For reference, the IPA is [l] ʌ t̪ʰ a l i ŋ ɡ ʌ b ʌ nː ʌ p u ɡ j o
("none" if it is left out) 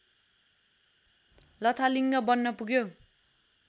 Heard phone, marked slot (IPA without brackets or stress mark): l